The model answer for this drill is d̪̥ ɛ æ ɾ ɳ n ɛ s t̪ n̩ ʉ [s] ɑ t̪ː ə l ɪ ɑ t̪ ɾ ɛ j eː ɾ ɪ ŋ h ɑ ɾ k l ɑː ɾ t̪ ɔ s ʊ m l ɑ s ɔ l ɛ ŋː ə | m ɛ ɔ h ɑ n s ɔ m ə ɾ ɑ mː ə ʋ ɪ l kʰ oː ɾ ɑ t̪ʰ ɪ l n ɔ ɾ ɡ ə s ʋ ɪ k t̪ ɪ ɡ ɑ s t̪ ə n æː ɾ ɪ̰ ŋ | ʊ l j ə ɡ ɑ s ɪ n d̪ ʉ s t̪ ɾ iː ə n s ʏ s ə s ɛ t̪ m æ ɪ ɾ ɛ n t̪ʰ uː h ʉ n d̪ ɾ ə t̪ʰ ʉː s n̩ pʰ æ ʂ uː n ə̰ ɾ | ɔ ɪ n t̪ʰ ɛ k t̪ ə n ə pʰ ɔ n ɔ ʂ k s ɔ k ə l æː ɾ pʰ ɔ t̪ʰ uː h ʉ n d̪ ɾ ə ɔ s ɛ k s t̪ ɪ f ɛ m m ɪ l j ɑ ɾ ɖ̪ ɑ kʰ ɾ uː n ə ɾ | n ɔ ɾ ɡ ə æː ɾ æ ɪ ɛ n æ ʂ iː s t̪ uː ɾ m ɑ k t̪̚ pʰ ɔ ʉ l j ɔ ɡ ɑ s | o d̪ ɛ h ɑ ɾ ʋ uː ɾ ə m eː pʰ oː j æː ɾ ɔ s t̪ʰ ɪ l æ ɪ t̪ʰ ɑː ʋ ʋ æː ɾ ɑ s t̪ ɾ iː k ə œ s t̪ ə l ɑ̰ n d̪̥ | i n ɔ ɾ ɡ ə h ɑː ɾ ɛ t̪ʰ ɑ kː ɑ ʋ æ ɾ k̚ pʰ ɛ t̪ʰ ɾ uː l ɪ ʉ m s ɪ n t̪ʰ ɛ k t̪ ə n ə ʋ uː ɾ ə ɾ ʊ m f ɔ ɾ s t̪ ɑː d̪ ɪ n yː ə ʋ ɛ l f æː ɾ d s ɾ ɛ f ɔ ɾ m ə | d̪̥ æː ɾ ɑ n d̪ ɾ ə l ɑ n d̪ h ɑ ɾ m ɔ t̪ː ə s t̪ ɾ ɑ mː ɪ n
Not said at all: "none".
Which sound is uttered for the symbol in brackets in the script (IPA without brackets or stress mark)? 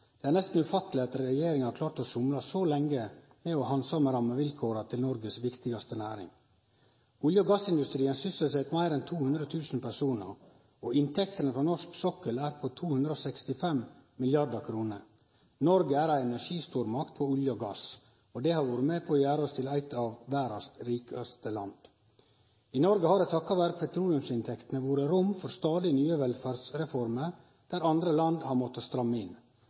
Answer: f